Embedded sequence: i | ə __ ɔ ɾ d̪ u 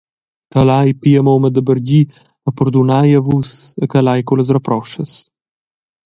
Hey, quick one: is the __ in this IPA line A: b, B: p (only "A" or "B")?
B